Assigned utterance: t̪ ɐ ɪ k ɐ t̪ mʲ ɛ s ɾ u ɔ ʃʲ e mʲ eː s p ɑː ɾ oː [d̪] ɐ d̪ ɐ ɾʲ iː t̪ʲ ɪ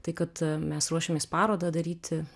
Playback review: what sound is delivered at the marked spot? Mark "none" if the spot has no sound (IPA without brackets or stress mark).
d̪